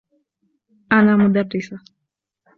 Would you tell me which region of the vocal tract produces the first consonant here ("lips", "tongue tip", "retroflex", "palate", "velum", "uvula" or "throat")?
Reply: tongue tip